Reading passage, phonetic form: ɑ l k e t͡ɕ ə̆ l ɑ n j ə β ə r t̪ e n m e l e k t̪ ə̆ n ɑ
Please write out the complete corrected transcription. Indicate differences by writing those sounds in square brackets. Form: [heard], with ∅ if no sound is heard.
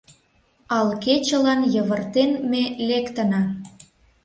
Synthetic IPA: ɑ l k e t͡ɕ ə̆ l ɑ n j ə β ə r t̪ e n m e l e k t̪ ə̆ n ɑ